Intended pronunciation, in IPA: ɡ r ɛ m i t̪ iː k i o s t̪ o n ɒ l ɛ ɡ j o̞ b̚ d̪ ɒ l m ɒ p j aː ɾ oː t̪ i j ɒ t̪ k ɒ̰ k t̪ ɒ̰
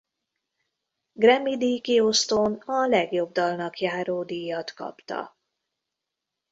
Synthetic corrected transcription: ɡ r ɛ m i d̪ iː k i o s t̪ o n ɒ l ɛ ɡ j o̞ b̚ d̪ ɒ l n ɒ k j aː ɾ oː d̪ i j ɒ t̪ k ɒ̰ p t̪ ɒ̰